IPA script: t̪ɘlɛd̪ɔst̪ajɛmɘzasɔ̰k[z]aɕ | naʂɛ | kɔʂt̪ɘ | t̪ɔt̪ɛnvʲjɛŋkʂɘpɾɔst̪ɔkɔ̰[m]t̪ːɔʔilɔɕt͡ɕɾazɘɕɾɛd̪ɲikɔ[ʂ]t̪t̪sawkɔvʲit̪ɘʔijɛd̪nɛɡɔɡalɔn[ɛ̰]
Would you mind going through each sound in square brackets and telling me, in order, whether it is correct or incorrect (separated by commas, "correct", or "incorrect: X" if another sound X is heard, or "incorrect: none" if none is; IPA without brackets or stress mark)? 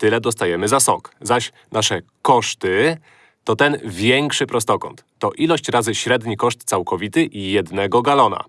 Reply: correct, incorrect: n, correct, incorrect: a̰